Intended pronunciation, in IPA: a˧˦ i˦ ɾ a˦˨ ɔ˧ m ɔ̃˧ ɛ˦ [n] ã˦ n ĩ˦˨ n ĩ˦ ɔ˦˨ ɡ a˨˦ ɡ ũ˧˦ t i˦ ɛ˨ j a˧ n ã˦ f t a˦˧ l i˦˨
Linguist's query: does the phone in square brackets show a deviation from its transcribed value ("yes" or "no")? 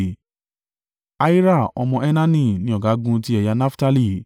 no